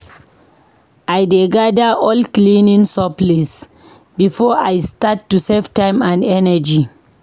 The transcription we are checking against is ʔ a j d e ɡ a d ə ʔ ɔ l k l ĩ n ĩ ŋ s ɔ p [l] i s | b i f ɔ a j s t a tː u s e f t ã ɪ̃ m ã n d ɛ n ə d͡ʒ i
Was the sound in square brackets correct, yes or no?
yes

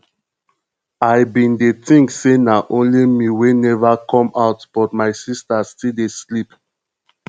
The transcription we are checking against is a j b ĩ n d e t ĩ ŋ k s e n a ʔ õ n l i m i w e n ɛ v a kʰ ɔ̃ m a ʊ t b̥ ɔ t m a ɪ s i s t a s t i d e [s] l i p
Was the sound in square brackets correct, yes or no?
yes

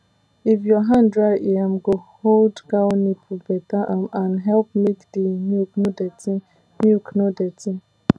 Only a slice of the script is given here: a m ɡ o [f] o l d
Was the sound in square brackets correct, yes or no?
no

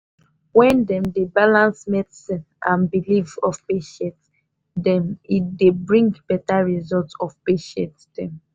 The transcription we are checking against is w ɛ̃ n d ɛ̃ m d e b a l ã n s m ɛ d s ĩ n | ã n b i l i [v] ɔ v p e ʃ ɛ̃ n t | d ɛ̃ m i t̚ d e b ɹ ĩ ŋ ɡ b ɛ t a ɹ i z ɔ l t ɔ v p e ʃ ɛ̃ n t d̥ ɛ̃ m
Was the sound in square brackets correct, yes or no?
yes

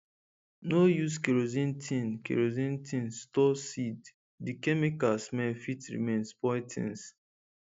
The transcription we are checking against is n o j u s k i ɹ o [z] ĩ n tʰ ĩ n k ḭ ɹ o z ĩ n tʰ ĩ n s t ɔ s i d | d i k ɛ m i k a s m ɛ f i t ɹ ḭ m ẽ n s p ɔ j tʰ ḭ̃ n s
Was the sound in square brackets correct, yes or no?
yes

